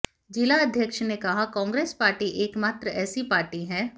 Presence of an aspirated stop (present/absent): absent